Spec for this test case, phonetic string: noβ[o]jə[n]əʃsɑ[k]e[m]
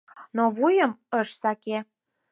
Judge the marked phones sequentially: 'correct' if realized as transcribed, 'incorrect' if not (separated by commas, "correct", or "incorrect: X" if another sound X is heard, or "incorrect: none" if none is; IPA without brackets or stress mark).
incorrect: u, incorrect: m, correct, incorrect: none